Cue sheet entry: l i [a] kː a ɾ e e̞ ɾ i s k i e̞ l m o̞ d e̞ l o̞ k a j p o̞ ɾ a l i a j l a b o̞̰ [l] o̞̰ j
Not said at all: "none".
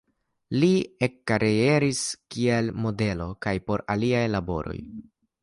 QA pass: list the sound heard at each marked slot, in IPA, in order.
e, ɾ

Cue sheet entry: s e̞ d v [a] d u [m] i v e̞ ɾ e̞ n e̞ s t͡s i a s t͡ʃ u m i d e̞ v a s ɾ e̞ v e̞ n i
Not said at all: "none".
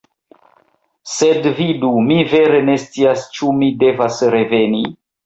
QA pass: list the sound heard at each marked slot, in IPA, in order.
i, m

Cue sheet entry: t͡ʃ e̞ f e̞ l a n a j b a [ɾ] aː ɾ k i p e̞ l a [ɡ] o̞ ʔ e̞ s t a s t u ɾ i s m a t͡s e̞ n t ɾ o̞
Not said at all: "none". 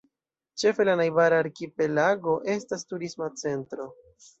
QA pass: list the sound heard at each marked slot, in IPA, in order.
ɾ, ɡ

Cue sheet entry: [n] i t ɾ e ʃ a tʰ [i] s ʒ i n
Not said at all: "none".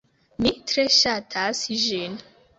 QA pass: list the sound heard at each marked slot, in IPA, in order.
m, a

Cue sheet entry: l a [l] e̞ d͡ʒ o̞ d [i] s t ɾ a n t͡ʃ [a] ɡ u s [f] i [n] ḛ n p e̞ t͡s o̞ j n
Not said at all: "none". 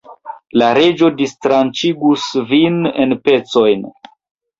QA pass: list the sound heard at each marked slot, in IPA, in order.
ɾ, i, i, v, n

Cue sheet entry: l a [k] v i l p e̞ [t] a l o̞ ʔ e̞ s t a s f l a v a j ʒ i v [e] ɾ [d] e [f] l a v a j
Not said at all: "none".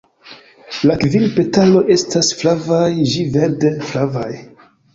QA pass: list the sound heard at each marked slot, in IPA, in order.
k, t, e, d, f

